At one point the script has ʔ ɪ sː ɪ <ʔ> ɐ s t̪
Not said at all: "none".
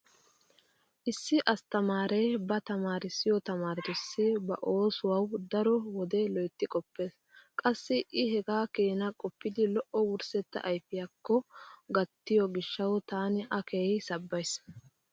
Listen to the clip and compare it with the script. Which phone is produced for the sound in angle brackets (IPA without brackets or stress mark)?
ʔ